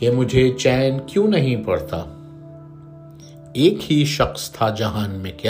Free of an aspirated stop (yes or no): no